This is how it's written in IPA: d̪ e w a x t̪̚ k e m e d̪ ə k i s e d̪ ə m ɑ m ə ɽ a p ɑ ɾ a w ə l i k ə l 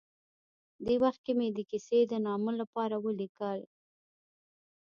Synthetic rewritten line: d̪ e w a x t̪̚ k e m e d̪ ə k i s e d̪ ə n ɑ m ə l a p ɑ ɾ a w ə l i k ə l